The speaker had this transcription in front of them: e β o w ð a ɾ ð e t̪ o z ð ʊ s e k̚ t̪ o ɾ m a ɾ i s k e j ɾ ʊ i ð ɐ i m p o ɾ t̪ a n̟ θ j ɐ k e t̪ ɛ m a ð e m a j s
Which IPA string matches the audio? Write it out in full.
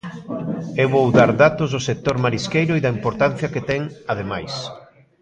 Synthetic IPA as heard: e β o w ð a ɾ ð a t̪ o z ð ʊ s e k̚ t̪ o ɾ m a ɾ i s k e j ɾ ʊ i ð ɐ i m p o ɾ t̪ a n̟ θ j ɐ k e t̪ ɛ ŋ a ð e m a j s